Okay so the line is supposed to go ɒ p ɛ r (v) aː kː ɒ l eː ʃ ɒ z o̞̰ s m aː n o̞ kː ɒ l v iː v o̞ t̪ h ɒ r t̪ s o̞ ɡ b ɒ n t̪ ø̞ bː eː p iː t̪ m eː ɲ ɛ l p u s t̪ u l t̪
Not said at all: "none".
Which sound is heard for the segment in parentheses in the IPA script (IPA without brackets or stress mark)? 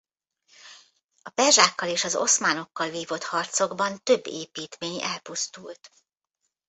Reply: ʒ